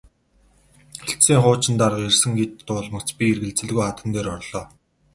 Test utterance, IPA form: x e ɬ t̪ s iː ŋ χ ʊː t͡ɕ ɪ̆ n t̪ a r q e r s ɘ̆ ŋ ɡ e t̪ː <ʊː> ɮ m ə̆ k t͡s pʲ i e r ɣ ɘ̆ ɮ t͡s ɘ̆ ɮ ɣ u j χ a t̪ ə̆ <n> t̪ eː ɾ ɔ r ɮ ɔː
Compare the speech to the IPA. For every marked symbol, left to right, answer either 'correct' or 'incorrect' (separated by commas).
correct, correct